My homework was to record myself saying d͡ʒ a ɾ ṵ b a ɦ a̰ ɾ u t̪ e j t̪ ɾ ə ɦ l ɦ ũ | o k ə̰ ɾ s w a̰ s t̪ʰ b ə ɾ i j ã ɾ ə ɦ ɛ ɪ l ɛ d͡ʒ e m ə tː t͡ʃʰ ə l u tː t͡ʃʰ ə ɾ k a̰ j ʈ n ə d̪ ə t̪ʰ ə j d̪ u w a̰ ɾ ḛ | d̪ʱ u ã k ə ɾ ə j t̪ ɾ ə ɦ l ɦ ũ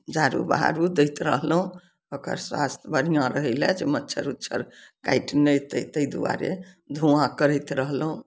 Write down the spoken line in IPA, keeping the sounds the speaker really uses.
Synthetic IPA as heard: d͡ʒ a ɾ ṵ b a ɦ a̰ ɾ u d̪ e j t̪ ɾ ə ɦ l ɦ ũ | o k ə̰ ɾ s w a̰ s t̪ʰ b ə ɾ i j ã ɾ ə ɦ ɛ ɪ l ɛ d͡ʒ e m ə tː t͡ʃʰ ə ɾ u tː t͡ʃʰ ə ɾ k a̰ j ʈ n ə t̪ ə t̪ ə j d̪ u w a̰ ɾ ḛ | d̪ʱ u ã k ə ɾ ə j t̪ ɾ ə ɦ l ɦ ũ